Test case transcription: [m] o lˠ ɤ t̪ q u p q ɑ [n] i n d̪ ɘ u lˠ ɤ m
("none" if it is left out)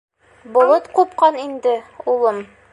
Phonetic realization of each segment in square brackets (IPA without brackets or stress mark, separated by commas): b, n